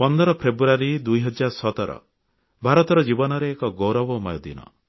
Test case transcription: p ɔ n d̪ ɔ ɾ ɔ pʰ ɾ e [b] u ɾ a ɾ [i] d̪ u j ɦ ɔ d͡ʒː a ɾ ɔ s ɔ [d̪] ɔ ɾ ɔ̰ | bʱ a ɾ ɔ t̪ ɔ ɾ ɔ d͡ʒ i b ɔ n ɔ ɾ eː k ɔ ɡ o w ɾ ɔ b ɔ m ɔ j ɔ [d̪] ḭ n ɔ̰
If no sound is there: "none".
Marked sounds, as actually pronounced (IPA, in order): b, i, t̪, d̪

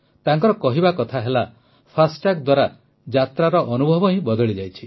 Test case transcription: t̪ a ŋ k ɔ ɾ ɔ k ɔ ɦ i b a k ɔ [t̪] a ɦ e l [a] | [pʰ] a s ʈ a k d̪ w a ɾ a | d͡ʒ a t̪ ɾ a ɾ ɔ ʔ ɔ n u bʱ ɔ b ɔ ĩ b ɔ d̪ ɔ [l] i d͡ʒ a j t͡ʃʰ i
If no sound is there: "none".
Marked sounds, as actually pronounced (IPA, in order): t̪ʰ, a, pʰ, ɭ

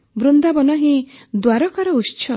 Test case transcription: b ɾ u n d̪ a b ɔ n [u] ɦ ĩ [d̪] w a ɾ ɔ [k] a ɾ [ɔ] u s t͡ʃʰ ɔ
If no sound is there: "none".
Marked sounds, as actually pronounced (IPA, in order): ɔ, d̪, k, ɔ

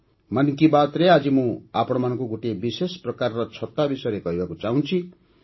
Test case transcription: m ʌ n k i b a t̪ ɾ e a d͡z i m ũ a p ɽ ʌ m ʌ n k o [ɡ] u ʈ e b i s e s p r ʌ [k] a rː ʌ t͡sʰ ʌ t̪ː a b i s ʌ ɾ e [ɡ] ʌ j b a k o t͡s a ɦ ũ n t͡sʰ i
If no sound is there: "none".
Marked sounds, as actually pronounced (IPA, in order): ɡ, k, k

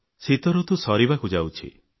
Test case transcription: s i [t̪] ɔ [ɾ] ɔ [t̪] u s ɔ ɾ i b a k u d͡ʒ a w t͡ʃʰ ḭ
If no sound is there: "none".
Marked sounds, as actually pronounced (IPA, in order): t̪, ɾ, t̪

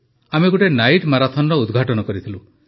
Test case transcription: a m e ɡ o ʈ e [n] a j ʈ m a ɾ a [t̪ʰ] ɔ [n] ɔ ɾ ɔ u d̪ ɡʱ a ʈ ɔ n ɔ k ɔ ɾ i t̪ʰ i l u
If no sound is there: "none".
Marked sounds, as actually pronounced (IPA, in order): n, t̪ʰ, n

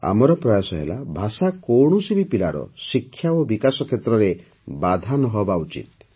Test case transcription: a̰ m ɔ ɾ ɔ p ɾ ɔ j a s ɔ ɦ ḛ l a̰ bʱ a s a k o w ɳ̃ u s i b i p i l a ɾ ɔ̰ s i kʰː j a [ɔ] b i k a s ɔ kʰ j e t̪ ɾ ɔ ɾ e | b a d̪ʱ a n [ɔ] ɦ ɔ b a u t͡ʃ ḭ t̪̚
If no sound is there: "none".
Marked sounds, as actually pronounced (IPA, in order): o, ɔ

